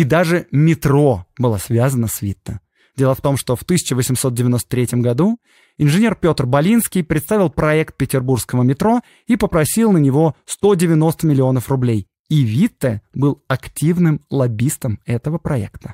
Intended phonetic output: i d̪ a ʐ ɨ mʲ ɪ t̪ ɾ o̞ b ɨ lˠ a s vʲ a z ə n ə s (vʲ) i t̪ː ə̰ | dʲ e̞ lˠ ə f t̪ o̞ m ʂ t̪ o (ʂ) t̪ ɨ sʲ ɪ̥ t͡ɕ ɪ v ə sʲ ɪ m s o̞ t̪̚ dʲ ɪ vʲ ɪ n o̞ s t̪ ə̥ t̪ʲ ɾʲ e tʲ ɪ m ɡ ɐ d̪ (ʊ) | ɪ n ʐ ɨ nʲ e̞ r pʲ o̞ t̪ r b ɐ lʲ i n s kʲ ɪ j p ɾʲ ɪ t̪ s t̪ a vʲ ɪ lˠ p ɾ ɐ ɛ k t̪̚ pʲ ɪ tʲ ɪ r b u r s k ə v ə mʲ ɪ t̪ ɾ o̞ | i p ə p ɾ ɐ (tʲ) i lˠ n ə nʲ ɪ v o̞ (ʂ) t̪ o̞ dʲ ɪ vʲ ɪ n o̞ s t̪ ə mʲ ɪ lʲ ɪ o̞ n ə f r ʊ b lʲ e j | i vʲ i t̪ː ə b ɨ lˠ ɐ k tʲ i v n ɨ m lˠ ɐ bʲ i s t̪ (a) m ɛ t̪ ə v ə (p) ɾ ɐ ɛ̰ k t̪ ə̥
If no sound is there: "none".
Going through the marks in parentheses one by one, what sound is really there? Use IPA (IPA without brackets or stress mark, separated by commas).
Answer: vʲ, f, u, sʲ, s, ə, p